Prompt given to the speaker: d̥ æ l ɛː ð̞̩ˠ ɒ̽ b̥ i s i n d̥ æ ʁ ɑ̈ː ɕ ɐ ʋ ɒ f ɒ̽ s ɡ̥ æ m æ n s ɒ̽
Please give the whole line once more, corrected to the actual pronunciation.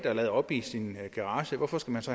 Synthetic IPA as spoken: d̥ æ l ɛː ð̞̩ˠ ɒ̽ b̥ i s i n ɡ̥ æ ʁ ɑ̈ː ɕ ə ʋ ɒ f ɒ̽ s ɡ̥ æ m æ n s ɒ̽